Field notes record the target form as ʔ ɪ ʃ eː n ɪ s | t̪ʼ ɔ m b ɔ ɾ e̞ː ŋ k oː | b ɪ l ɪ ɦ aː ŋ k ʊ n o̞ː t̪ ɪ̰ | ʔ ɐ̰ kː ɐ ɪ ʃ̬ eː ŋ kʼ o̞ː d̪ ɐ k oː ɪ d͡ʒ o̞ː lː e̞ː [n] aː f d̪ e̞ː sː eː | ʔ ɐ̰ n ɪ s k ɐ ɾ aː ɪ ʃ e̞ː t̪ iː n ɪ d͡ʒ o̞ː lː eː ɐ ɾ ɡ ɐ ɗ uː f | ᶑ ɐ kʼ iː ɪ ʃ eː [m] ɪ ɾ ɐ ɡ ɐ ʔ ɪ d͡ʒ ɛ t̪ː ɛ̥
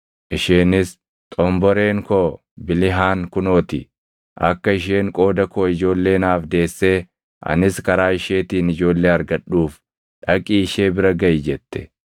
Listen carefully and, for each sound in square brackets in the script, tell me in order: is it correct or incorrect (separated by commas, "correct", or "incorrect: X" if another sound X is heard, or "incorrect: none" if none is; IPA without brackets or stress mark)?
correct, incorrect: b